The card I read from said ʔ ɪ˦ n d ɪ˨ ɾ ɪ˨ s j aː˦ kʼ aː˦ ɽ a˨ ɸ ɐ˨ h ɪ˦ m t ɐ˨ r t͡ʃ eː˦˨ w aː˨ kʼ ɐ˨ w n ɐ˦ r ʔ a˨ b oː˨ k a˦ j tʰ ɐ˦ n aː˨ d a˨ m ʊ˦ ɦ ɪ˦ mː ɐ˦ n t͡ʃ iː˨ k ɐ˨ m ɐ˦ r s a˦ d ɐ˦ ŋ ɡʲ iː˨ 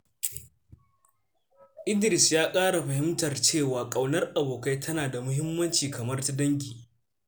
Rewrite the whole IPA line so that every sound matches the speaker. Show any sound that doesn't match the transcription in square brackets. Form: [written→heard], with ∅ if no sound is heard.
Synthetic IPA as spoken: ʔ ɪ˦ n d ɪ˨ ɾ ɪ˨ s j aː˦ kʼ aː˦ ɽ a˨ ɸ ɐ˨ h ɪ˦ m t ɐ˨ r t͡ʃ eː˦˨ w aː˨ kʼ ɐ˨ w n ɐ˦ r ʔ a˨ b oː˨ k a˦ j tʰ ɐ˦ n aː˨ d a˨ m ʊ˦ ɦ ɪ˦ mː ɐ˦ n t͡ʃ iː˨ k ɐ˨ m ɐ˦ r [s→t] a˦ d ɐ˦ ŋ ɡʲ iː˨